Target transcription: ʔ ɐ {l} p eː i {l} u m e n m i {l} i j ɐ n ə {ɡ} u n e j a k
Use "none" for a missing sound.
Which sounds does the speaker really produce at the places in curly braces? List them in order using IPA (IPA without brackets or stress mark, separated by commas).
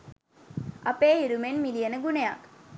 none, ɾ, l, ɡ